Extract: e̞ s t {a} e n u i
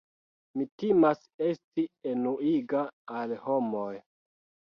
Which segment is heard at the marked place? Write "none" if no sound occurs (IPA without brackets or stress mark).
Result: i